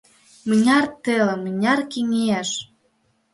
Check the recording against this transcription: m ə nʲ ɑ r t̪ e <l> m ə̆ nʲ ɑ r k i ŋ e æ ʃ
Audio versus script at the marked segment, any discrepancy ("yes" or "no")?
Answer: no